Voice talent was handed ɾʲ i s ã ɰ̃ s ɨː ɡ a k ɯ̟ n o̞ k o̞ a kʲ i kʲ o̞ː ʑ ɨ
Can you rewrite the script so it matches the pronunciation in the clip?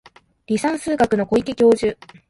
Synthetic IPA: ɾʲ i s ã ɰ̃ s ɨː ɡ a k ɯ̟ n o̞ k o̞ i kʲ i kʲ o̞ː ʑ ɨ